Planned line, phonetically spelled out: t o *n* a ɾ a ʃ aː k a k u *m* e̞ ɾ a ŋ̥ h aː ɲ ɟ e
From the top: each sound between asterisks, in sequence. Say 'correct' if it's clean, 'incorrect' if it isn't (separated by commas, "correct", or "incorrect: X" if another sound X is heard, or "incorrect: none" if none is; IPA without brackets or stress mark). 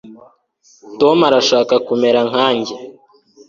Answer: incorrect: m, correct